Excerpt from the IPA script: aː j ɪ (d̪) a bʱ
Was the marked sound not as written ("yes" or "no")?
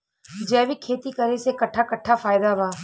no